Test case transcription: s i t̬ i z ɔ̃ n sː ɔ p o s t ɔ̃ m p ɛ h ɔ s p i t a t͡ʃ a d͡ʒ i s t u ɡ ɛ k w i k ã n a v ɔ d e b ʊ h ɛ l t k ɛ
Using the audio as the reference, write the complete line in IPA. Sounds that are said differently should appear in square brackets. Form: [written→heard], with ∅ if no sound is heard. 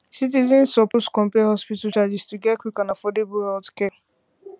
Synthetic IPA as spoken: s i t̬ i z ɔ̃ n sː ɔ p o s [t→k] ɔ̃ m p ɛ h ɔ s p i t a t͡ʃ a d͡ʒ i s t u ɡ ɛ k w i k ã n a [v→f] ɔ d e b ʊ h ɛ l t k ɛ